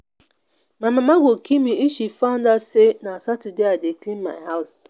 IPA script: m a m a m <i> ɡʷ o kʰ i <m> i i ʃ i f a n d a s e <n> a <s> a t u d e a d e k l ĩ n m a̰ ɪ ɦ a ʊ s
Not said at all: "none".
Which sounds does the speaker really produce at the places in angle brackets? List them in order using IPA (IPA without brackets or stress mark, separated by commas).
a, m, n, s